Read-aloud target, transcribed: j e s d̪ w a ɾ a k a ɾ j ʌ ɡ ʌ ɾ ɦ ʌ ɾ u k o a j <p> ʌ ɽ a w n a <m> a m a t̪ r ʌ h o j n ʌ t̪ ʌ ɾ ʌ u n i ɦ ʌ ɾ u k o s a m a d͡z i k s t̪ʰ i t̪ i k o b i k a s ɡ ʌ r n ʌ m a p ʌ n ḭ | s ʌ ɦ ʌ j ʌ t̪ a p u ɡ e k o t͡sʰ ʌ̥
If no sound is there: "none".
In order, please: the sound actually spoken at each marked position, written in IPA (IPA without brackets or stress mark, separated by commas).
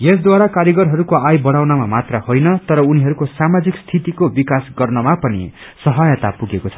b, m